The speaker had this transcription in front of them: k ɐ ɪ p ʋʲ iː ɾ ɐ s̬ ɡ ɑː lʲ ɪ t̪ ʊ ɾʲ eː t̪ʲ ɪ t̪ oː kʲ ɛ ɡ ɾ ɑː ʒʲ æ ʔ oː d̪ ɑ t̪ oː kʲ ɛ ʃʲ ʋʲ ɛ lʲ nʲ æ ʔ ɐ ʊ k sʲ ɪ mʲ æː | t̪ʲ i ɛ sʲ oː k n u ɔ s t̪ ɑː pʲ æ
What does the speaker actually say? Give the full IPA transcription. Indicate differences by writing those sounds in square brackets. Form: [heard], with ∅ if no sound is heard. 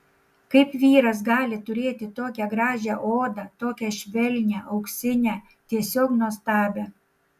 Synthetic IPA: k ɐ ɪ p ʋʲ iː ɾ ɐ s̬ ɡ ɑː lʲ ɪ t̪ ʊ ɾʲ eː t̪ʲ ɪ t̪ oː kʲ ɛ ɡ ɾ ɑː ʒʲ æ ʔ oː d̪ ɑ t̪ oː kʲ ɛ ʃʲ ʋʲ ɛ lʲ nʲ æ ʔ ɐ ʊ k sʲ ɪ [nʲ] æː | t̪ʲ i ɛ sʲ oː k n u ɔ s t̪ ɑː [bʲ] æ